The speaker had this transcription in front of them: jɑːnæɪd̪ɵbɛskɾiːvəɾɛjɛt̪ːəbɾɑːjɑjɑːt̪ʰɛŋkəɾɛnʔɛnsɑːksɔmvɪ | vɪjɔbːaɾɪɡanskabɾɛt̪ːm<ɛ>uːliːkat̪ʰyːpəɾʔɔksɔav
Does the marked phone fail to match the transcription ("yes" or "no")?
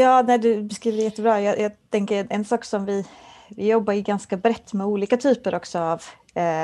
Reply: no